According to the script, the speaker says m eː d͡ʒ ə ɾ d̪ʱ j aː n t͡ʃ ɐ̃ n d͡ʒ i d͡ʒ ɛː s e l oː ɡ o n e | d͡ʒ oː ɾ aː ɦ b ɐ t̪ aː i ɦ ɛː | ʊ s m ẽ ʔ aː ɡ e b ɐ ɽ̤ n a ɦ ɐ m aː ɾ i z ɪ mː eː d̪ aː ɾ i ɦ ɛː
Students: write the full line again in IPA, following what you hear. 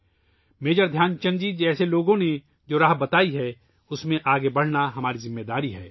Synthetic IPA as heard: m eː d͡ʒ ə ɾ d̪ʱ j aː n t͡ʃ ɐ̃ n d͡ʒ i d͡ʒ ɛː s e l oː ɡ õ n e | d͡ʒ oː ɾ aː ɦ b ɐ t̪ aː i ɦ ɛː | ʊ s m ẽ ʔ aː ɡ e b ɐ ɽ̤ n a ɦ ɐ m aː ɾ i z ɪ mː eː d̪ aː ɾ i ɦ ɛː